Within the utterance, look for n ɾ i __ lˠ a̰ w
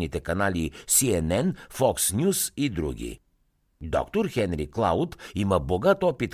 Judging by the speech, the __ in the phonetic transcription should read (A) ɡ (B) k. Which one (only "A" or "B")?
B